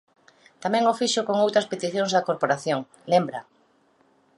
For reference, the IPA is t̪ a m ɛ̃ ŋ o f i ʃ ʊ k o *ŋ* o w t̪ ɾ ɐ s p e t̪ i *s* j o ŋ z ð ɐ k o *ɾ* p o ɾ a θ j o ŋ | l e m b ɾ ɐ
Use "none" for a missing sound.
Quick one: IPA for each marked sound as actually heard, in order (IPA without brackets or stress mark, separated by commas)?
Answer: ŋ, θ, ɾ